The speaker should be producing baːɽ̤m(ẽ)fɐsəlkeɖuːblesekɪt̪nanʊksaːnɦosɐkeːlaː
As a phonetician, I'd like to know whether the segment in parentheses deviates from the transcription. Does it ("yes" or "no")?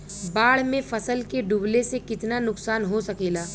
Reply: no